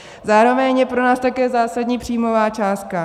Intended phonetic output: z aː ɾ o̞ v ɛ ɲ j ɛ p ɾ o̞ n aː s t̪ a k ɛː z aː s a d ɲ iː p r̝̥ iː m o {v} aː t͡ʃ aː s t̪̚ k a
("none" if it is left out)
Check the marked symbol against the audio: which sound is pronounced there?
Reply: v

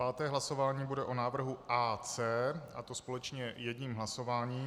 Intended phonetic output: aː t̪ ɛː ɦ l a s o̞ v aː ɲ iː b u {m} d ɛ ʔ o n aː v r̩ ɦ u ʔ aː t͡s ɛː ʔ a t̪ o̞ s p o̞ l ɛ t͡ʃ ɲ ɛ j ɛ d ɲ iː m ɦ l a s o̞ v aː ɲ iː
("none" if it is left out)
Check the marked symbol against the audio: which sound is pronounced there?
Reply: none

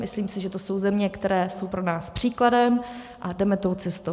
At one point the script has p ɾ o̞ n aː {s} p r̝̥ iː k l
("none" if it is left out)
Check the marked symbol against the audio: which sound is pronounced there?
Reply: s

